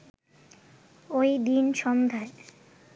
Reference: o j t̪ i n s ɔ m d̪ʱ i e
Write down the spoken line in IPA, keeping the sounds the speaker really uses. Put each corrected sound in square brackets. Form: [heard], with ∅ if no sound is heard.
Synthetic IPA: o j [d̪] i n [ʃ] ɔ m d̪ʱ [a] e